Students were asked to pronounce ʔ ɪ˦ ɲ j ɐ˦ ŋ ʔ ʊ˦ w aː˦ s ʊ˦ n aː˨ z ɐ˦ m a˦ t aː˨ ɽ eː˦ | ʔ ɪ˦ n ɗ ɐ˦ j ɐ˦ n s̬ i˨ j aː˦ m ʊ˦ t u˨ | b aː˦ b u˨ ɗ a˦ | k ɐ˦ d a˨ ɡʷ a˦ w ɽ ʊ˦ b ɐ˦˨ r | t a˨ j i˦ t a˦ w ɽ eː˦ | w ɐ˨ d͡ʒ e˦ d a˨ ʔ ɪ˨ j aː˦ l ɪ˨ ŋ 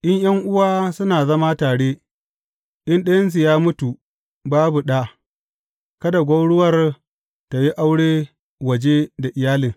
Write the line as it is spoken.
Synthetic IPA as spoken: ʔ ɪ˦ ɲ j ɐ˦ ŋ ʔ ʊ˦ w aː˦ s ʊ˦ n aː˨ z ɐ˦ m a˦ t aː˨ ɽ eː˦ | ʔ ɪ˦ n ɗ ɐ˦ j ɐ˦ n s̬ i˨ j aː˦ m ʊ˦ t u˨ | b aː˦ b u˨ ɗ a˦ | k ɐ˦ d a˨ ɡʷ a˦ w ɽ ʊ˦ w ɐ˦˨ r | t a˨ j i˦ ʔ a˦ w ɽ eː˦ | w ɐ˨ d͡ʒ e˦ d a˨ ʔ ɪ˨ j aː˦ l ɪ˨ ŋ